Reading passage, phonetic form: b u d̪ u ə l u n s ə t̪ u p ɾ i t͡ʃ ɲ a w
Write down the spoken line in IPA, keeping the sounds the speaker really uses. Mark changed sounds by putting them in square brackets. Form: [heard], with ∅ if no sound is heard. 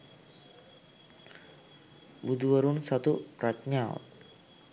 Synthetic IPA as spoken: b u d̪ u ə [ɾ] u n s [a] t̪ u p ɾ [a] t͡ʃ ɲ a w